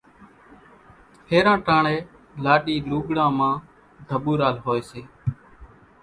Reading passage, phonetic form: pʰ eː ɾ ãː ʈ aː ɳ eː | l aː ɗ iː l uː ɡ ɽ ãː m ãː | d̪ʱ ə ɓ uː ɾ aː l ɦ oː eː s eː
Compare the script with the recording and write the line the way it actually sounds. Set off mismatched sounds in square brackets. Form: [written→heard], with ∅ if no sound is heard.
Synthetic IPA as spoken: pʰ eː ɾ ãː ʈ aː ɳ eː | l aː ɗ iː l uː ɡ ɽ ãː m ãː | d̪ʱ ə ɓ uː ɾ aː l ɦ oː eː s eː